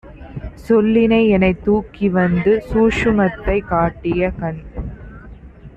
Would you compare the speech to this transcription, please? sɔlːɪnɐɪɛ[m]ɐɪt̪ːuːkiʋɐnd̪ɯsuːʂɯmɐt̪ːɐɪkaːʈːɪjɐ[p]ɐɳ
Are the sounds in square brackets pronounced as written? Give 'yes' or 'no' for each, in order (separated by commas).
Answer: no, no